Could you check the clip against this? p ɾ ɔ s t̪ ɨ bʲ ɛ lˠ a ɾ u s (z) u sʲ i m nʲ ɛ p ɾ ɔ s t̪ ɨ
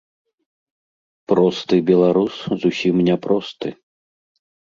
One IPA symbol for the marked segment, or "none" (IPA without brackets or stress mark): z